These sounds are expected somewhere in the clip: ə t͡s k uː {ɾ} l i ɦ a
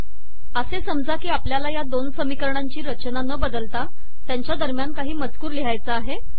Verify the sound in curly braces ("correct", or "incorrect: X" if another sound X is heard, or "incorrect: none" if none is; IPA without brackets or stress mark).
correct